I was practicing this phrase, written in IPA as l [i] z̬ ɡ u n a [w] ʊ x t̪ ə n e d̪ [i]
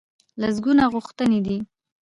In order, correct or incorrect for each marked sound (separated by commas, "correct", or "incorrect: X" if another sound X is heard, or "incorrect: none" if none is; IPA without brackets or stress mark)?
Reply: incorrect: a, incorrect: ɣ, correct